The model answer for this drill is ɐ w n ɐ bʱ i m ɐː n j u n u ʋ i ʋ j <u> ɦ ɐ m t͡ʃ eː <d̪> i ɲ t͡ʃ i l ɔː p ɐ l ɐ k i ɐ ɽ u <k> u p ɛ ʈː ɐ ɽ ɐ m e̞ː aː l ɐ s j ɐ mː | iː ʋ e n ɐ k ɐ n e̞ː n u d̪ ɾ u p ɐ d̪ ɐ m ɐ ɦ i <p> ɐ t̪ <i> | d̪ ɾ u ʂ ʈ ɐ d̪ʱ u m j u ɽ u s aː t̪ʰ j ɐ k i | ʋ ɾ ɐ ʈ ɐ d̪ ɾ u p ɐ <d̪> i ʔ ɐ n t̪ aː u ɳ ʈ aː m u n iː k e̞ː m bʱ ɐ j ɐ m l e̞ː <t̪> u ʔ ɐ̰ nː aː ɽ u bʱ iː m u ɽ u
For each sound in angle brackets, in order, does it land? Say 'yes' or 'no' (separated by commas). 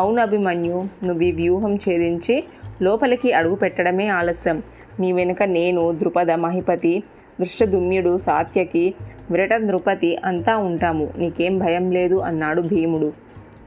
no, yes, no, yes, yes, no, no